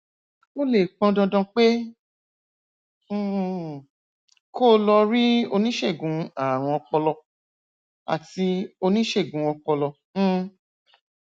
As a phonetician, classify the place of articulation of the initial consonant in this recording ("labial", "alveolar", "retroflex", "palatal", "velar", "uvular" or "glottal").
alveolar